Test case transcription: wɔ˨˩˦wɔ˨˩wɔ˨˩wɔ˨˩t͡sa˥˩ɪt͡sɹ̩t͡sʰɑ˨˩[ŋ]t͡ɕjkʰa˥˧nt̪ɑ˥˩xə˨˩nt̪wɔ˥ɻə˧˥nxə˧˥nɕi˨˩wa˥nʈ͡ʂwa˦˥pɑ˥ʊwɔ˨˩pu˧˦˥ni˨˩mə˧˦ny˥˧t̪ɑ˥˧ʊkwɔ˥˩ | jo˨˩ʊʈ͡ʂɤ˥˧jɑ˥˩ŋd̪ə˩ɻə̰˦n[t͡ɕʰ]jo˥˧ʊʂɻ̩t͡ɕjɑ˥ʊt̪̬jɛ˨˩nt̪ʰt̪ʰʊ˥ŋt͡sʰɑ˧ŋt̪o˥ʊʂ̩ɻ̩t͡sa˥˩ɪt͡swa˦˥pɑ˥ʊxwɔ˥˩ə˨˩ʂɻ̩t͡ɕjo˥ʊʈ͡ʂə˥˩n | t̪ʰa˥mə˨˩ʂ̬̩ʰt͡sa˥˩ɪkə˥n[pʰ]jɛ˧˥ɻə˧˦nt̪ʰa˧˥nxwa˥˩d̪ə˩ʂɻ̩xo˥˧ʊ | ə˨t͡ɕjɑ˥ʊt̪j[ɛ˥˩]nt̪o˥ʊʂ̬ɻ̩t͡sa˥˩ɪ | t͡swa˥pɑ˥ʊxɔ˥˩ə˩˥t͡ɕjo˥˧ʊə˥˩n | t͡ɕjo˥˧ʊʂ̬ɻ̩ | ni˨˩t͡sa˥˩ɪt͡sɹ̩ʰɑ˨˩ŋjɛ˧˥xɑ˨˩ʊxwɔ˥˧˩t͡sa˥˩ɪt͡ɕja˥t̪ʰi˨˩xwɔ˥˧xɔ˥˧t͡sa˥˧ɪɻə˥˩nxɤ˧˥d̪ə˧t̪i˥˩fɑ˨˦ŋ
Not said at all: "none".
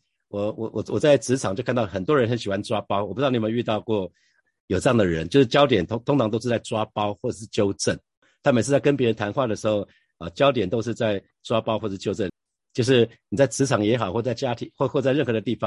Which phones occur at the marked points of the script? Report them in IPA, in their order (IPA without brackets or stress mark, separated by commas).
ŋ, t͡ɕ, p, ɛ˨˩